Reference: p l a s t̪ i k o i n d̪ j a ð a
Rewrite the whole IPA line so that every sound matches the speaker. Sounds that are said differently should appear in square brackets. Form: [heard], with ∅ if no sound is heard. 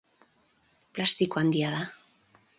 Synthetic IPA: p l a s t̪ i k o [a] n d̪ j a ð a